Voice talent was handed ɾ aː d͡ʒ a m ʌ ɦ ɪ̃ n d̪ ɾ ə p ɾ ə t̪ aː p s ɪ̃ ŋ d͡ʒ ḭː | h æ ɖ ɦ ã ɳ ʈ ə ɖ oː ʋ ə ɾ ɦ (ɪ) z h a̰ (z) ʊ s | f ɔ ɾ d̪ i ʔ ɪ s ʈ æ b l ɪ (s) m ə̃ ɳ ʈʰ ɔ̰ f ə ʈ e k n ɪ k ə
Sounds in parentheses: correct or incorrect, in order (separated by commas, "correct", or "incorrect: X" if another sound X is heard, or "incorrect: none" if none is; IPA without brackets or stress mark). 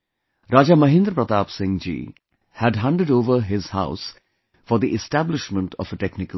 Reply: correct, incorrect: none, incorrect: ʃ